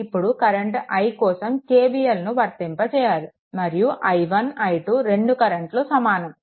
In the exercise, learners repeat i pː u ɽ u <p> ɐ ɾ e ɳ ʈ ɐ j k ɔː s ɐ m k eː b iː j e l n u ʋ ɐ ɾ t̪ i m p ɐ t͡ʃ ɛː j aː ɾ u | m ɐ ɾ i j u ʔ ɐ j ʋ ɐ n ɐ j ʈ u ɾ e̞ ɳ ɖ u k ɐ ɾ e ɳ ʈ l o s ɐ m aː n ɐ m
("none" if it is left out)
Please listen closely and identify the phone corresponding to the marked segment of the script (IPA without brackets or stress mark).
k